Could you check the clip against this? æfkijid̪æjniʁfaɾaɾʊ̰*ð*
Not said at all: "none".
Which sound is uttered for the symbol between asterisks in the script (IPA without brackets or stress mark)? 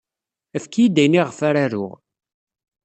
ʁ